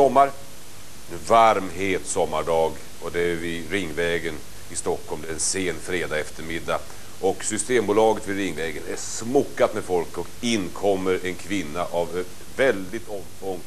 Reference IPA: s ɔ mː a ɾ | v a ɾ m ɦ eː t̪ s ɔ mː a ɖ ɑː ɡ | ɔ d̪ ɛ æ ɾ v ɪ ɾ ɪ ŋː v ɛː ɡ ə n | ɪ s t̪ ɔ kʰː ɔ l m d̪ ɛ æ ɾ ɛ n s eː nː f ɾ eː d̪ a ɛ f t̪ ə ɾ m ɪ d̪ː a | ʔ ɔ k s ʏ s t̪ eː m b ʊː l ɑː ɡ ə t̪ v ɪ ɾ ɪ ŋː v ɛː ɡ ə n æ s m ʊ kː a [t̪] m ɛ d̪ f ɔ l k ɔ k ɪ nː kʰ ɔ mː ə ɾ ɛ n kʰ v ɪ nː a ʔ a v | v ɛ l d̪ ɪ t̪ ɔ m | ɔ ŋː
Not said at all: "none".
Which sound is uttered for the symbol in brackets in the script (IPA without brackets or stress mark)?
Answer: t̪